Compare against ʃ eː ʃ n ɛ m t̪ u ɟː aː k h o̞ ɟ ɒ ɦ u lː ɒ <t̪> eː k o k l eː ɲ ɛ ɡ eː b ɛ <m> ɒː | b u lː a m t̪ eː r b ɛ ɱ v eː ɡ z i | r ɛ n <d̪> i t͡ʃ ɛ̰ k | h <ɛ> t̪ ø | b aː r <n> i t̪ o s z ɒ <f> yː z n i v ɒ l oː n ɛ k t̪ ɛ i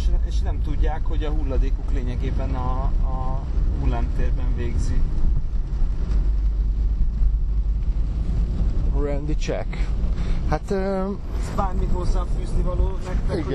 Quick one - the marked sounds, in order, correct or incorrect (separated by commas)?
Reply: incorrect, incorrect, correct, incorrect, incorrect, correct